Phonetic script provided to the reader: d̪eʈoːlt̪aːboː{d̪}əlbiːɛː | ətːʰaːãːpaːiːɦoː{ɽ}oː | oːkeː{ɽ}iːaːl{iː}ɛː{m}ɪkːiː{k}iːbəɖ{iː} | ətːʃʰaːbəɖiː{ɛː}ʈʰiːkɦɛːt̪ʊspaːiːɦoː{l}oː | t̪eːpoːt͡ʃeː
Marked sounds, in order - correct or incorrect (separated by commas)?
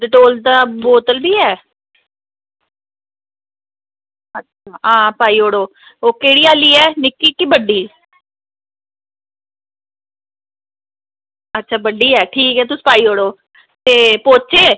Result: incorrect, correct, correct, correct, incorrect, correct, correct, correct, incorrect